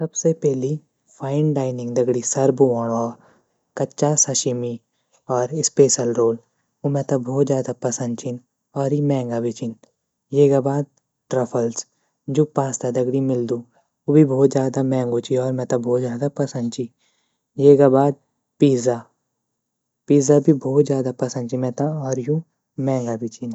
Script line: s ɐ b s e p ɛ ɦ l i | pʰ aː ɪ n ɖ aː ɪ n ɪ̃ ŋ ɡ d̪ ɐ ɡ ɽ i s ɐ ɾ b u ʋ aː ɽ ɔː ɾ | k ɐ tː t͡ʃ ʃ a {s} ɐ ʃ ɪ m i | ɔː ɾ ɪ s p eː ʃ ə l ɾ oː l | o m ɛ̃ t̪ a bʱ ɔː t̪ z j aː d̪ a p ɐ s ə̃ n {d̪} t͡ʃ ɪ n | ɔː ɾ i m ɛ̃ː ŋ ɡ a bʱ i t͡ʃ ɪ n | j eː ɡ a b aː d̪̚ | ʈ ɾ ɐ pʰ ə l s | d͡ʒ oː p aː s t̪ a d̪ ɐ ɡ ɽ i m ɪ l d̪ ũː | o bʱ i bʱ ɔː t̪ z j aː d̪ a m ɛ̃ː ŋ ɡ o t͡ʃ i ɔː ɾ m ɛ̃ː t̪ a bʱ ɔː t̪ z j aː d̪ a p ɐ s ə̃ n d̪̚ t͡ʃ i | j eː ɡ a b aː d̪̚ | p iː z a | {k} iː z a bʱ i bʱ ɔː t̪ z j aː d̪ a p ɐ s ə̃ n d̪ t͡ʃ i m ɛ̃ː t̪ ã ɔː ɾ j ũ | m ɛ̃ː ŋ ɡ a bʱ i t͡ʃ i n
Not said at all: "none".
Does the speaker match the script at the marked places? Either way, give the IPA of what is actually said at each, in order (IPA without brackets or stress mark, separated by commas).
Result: s, d̪, p